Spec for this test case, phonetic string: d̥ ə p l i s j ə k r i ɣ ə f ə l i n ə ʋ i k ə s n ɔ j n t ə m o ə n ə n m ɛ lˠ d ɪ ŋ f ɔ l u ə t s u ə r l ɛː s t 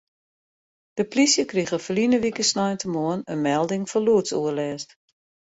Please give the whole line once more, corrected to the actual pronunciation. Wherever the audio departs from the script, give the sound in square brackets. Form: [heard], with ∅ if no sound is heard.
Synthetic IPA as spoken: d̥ ə p l i s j ə k r i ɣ ə f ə l i n ə ʋ i k ə s n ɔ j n t ə m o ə n ə n m ɛ lˠ d ɪ ŋ f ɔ l u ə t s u ə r l ɛː s t